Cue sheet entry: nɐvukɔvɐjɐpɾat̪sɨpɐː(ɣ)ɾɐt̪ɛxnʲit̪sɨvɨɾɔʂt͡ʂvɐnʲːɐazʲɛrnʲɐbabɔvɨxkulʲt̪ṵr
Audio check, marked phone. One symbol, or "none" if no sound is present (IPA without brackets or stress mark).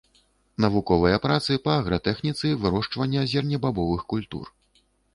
ɣ